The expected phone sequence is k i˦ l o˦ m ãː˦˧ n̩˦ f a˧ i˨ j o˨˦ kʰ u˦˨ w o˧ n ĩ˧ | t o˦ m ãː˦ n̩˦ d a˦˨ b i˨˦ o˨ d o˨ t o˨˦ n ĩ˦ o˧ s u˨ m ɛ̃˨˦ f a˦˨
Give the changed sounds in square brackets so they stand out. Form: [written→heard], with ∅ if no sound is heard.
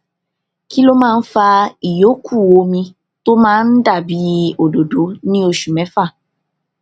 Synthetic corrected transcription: k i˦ l o˦ m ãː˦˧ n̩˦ f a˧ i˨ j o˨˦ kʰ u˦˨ w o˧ [n→m] ĩ˧ | t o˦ m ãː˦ n̩˦ d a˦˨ b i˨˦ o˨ d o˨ [t→d] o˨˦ n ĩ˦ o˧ [s→ʃ] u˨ m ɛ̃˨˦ f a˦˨